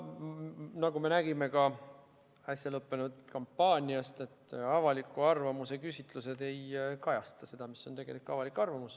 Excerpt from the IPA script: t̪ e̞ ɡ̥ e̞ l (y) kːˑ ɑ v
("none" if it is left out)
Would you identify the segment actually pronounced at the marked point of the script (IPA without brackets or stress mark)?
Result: i